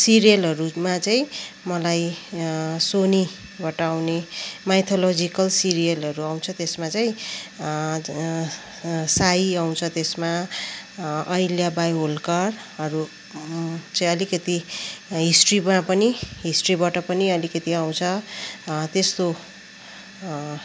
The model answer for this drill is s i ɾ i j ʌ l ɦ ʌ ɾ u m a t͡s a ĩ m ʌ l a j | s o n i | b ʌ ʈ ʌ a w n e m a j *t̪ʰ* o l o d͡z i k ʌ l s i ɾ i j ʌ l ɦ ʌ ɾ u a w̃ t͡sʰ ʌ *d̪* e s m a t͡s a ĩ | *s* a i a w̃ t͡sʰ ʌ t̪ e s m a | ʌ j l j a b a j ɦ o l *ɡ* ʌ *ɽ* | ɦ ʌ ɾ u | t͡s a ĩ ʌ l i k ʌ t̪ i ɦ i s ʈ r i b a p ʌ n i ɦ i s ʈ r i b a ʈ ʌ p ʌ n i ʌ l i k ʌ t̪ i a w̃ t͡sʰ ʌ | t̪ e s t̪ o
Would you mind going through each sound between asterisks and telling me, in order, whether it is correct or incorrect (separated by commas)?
correct, incorrect, correct, incorrect, incorrect